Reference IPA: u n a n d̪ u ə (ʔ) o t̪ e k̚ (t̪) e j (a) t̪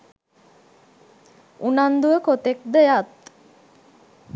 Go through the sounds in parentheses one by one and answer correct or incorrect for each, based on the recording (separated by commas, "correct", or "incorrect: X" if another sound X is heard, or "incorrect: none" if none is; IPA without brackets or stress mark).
incorrect: k, incorrect: d̪, correct